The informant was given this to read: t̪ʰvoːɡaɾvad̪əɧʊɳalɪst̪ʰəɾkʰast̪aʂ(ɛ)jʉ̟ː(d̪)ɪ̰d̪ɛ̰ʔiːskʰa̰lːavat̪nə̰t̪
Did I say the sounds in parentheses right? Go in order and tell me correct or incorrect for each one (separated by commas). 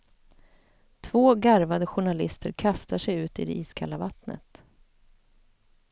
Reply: correct, incorrect